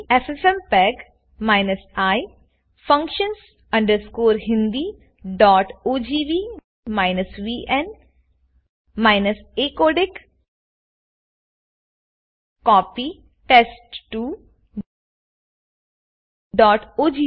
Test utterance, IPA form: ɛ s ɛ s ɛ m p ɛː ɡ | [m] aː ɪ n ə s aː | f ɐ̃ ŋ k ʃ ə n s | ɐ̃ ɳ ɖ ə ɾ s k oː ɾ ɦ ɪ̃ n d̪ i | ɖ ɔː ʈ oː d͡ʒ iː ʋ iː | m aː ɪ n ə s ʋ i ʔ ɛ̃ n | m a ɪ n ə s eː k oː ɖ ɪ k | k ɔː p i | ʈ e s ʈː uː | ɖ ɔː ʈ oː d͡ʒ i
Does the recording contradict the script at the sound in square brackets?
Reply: no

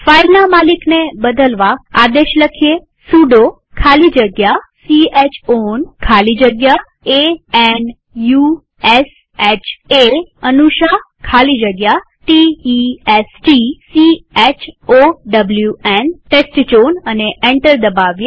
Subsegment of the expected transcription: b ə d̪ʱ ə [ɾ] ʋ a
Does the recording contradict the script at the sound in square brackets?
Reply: yes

